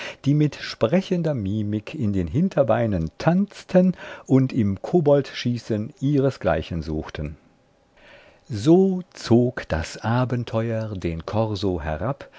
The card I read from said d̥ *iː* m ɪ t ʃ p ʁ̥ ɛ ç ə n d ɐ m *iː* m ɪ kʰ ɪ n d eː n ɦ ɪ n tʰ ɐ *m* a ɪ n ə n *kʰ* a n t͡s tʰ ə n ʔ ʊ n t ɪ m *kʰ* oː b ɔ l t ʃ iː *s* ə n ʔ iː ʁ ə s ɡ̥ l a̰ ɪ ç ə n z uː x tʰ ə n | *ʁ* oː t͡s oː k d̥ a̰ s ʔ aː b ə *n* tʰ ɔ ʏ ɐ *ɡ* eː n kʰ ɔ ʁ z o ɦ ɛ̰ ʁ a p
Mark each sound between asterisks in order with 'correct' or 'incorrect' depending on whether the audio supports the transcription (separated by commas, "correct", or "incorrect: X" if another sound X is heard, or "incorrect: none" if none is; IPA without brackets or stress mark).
correct, correct, incorrect: b, incorrect: tʰ, correct, correct, incorrect: z, correct, incorrect: d